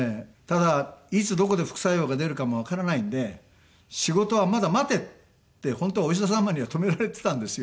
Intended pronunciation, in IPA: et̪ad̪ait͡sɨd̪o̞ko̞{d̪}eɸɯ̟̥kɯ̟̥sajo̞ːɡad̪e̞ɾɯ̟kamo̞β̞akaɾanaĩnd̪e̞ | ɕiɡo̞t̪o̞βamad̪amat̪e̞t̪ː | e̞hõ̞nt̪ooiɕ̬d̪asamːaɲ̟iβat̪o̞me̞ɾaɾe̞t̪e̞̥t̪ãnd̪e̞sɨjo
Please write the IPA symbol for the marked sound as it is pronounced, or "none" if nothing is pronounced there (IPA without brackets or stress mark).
d̪